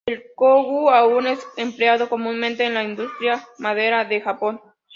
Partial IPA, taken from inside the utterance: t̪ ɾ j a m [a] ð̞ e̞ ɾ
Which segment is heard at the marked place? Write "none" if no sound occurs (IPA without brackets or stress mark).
a